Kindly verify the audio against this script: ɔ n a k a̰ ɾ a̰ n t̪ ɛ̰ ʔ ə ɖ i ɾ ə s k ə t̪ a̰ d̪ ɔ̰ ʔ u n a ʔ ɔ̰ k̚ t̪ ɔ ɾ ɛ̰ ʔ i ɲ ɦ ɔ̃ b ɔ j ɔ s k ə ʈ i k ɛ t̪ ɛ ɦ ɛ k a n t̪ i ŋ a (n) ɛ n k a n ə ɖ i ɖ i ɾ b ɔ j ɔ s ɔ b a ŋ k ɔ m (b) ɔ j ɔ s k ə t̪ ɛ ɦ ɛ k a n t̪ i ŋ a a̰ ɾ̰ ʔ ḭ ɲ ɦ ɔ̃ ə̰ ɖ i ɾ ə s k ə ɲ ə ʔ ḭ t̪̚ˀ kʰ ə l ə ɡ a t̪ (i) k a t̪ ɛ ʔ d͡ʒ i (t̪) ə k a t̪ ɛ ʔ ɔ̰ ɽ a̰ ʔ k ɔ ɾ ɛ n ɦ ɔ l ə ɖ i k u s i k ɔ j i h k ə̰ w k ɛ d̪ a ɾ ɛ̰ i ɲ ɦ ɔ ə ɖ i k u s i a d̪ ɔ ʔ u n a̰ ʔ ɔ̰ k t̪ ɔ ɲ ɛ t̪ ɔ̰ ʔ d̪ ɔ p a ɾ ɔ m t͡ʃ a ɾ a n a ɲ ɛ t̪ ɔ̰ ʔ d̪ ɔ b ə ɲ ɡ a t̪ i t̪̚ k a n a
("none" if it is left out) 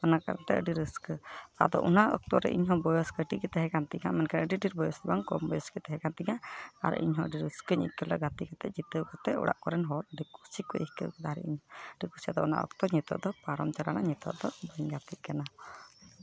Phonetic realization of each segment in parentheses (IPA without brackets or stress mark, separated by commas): m, b, i, t̪